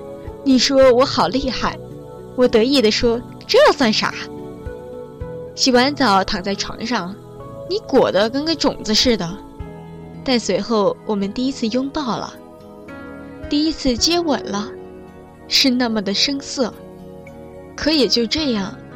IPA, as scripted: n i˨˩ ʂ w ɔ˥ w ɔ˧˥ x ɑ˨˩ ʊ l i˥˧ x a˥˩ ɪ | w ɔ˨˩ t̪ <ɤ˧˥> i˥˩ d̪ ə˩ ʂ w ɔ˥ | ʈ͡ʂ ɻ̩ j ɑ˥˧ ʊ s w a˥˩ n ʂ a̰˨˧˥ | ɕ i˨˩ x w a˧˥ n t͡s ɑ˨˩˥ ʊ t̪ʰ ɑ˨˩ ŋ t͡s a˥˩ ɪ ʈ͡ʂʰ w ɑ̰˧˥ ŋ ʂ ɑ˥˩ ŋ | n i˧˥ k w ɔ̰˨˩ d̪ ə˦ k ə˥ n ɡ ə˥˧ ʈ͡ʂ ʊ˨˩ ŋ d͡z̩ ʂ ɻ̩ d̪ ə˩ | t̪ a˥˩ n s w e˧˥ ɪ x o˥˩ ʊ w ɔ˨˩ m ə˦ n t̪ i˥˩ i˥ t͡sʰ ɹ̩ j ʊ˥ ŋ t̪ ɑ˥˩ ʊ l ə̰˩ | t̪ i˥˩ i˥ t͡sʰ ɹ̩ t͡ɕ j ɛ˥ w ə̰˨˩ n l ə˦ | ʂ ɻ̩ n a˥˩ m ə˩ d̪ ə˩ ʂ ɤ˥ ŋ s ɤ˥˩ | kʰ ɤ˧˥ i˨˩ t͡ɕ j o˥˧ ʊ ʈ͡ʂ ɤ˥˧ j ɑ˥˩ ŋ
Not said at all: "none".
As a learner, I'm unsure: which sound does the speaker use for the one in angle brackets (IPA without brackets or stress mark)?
ɤ˧˥